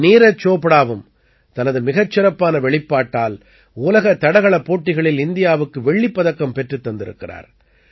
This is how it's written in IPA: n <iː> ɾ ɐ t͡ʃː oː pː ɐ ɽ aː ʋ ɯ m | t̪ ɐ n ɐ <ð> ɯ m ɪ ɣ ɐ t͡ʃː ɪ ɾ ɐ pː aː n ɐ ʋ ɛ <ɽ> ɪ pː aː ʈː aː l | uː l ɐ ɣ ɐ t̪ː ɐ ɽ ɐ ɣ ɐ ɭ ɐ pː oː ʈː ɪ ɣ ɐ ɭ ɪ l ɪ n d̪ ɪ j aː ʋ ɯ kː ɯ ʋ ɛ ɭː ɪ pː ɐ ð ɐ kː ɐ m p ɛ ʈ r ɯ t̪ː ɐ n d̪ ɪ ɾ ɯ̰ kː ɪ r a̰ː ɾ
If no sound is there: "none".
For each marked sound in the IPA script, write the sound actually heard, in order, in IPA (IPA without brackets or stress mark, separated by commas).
iː, ð, ɭ